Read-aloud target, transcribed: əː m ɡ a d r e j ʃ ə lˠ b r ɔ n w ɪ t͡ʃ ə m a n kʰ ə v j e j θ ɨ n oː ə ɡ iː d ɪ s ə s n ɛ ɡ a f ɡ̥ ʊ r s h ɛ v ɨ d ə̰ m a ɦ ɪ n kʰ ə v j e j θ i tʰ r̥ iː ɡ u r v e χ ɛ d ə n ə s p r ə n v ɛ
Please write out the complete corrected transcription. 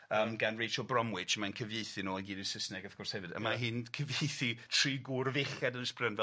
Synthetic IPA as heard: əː m ɡ a n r e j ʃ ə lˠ b r ɔ m w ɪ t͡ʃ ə m a n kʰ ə v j e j θ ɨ n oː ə ɡ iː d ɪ s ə s n ɛ ɡ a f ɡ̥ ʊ r s h ɛ v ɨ d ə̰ m a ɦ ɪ n kʰ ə v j e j θ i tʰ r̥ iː ɡ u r v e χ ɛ d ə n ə s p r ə n v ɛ